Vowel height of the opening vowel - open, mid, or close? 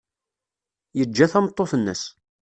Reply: mid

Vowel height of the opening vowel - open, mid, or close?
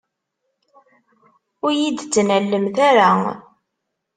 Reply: close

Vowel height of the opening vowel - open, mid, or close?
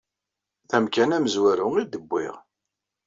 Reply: open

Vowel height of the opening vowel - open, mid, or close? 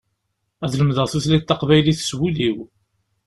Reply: open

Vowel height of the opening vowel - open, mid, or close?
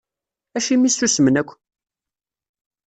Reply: open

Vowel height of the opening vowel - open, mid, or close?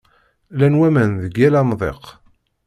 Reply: open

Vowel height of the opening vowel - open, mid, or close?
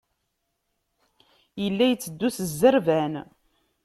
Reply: mid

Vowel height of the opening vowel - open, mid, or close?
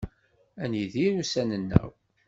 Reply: open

